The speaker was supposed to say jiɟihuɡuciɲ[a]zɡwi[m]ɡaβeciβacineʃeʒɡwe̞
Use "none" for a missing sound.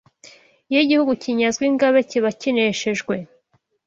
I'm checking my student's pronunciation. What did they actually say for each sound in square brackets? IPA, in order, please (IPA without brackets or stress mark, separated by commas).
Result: a, ŋ